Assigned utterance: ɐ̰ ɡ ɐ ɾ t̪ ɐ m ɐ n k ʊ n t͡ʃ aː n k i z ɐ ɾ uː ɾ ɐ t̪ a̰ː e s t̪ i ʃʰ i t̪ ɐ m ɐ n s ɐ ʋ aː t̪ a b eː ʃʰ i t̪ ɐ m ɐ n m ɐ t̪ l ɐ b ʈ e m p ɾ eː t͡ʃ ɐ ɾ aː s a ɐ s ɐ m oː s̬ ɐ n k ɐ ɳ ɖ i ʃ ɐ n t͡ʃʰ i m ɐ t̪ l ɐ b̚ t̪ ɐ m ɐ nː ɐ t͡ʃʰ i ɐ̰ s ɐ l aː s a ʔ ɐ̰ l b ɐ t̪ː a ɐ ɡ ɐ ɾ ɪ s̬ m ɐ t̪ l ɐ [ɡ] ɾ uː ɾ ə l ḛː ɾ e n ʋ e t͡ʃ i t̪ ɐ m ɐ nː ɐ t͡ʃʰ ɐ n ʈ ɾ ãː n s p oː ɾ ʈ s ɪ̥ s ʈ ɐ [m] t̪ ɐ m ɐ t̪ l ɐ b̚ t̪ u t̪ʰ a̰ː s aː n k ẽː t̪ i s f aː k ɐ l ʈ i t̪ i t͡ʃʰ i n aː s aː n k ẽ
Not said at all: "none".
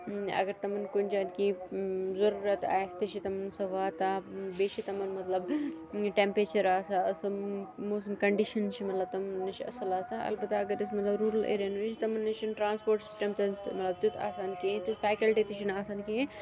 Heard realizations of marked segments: b, m

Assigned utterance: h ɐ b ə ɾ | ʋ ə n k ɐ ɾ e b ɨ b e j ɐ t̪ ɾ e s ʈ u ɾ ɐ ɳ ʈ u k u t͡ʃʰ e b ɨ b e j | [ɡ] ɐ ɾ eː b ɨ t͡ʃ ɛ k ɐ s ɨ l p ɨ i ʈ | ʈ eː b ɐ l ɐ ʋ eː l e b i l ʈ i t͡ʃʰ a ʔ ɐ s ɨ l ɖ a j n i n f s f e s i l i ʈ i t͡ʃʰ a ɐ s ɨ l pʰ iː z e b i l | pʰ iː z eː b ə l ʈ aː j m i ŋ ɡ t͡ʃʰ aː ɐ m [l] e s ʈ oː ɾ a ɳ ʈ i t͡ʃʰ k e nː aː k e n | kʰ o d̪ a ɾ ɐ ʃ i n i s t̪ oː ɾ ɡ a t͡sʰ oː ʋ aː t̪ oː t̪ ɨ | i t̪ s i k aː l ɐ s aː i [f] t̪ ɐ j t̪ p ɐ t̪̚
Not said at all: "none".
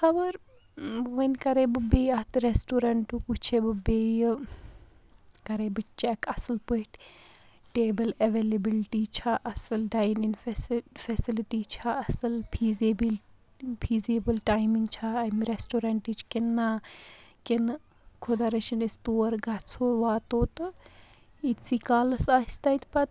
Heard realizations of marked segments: k, ɾ, s

